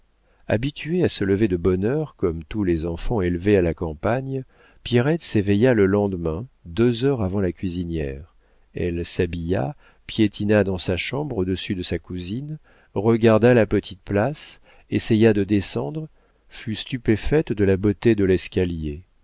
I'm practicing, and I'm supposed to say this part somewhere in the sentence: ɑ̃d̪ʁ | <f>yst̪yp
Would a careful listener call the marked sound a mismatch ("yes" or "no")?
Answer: no